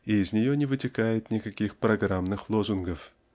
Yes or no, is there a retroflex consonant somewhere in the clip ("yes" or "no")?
no